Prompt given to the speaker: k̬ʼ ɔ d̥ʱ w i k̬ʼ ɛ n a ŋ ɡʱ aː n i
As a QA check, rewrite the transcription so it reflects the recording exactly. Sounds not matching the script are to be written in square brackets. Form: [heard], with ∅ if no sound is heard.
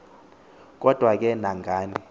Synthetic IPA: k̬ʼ ɔ d̥ʱ w [a] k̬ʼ ɛ n a ŋ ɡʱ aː n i

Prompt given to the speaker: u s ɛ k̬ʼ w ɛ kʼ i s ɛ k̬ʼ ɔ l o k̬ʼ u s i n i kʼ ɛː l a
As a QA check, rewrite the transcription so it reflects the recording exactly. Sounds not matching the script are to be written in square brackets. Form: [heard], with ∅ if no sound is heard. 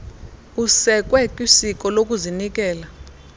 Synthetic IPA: u s ɛ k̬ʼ w ɛ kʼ i s [i] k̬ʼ ɔ l o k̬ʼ u [z] i n i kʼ ɛː l a

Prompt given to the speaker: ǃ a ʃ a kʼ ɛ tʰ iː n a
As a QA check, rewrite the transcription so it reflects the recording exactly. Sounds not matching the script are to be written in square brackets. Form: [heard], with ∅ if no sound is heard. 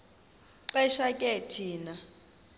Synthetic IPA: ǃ [ɛ] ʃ a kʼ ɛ tʰ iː n a

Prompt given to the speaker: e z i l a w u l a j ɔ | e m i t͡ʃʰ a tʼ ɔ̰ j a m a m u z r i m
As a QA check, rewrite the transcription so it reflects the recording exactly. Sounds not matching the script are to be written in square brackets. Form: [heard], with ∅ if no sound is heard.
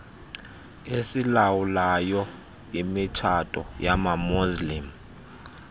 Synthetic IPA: e [s] i l a w u l a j ɔ | [i] m i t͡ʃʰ a tʼ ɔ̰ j a m a m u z [l] i m

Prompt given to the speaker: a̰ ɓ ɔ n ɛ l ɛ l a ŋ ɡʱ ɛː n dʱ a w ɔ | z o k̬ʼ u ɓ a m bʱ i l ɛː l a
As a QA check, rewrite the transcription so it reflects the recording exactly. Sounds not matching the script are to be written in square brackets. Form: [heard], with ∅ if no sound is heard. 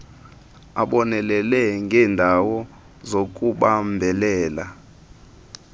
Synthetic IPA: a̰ ɓ ɔ n ɛ l ɛ l [ɛ] ŋ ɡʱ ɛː n dʱ a w ɔ | z o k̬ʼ u ɓ a m bʱ [ɛ] l ɛː l a

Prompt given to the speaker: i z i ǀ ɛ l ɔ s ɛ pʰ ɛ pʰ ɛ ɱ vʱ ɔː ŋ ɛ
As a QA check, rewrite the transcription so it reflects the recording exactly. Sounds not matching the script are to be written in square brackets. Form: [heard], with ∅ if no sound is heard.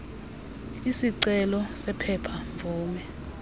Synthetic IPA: i [s] i ǀ ɛ l ɔ s ɛ pʰ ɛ pʰ [a] ɱ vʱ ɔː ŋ ɛ

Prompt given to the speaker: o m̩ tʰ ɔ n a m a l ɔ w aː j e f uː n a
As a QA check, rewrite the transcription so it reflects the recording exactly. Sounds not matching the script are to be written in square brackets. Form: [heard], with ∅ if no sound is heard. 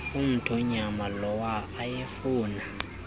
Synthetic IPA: [u] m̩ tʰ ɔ [ɲ] a m a l ɔ w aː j e f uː n a

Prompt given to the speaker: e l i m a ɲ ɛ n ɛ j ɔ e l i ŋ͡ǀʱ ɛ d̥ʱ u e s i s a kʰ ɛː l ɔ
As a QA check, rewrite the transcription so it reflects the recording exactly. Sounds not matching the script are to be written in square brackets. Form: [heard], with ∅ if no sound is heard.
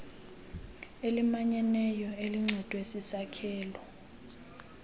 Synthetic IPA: e l i m a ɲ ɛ n ɛ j ɔ e l i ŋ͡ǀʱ ɛ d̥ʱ [w] e s i s a kʰ ɛː l ɔ

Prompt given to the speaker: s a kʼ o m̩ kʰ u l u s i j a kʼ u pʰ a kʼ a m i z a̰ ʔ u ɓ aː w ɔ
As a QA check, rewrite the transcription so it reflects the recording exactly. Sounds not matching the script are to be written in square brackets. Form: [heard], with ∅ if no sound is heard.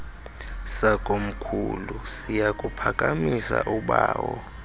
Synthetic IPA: s a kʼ o m̩ kʰ u l u s i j a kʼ u pʰ a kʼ a m i [s] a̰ ʔ u ɓ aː w ɔ

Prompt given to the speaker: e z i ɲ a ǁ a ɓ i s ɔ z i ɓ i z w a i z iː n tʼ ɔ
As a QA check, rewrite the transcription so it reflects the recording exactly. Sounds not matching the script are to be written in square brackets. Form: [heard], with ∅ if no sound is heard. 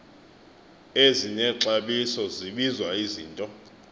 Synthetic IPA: e z i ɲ [ɛ] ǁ a ɓ i s ɔ z i ɓ i z w a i z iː n tʼ ɔ

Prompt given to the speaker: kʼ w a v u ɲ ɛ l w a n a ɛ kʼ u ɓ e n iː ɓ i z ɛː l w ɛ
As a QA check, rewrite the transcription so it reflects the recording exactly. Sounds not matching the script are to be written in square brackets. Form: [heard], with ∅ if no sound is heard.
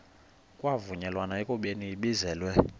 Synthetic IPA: kʼ w a v u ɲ ɛ l w a n a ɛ kʼ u ɓ e n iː ɓ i z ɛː l w ɛ

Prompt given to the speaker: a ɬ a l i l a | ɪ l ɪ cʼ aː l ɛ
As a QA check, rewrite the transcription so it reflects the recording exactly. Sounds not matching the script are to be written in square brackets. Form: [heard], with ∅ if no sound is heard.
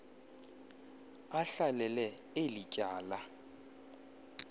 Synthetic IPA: a ɬ a l [ɛ] l [ɛ] | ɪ l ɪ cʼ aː l [a]

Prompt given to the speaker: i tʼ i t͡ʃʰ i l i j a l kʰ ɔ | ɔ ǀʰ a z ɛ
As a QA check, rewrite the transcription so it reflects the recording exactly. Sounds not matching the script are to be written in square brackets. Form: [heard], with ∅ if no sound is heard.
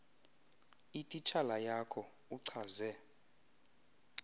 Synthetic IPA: i tʼ i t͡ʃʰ [a] l [a] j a [∅] kʰ ɔ | [u] ǀʰ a z ɛ

